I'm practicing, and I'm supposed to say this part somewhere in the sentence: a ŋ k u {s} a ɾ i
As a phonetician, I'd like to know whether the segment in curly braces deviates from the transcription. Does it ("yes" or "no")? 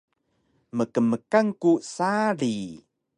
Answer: no